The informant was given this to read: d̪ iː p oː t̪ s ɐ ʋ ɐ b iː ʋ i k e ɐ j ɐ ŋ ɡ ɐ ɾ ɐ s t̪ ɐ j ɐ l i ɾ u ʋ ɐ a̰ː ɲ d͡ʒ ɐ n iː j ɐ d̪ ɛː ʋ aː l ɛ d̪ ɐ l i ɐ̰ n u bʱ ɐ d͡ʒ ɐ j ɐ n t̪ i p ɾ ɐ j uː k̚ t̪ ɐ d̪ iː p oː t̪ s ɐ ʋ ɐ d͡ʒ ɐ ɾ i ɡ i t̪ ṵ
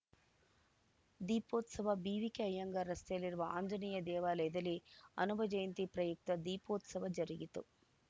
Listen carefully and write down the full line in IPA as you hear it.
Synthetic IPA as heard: d̪ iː p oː t̪ s ɐ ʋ ɐ b iː ʋ i k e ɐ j ɐ ŋ ɡ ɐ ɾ ɐ s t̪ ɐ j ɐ l i ɾ u ʋ ɐ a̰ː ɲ d͡ʒ ɐ n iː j ɐ d̪ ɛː ʋ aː l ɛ d̪ ɐ l i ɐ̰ n u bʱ ɐ d͡ʒ ɐ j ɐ n t̪ i p ɾ ɐ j u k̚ t̪ ɐ d̪ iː p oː t̪ s ɐ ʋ ɐ d͡ʒ ɐ ɾ i ɡ i t̪ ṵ